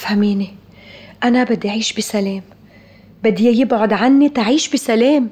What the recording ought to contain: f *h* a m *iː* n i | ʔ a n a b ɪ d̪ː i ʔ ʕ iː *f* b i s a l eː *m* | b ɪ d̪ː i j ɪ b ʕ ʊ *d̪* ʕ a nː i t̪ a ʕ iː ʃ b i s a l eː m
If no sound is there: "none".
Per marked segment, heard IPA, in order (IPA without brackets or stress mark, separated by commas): h, iː, ʃ, m, d̪